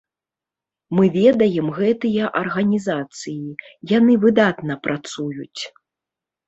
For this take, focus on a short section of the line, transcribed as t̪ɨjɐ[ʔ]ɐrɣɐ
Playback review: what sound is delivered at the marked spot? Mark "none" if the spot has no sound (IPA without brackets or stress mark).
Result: ʔ